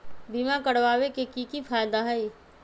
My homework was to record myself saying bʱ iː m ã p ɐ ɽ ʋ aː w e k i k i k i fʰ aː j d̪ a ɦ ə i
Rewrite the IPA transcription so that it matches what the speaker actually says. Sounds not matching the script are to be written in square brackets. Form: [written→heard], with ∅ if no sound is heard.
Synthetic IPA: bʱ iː m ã [p→k] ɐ ɽ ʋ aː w e k [i→e] k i k i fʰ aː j d̪ a ɦ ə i